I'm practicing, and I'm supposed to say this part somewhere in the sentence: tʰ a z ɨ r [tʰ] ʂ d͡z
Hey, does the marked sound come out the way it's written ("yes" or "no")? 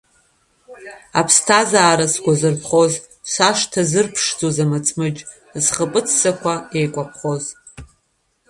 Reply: no